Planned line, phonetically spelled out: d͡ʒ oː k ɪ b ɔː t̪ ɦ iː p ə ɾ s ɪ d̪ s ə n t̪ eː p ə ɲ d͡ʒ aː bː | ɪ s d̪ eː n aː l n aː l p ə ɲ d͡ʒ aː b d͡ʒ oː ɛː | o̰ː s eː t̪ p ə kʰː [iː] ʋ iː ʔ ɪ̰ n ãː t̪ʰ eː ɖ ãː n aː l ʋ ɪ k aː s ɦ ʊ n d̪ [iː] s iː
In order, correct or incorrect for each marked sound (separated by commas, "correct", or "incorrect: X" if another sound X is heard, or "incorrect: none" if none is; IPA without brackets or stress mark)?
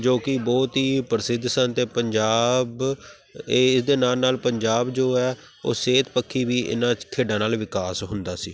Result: correct, incorrect: aː